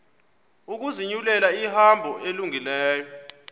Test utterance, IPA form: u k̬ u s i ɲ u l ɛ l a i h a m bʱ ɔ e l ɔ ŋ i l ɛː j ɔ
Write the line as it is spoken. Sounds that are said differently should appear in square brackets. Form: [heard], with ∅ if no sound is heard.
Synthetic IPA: u k̬ u [z] i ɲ u l ɛ l a i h a m bʱ ɔ e l [u] ŋ i l ɛː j ɔ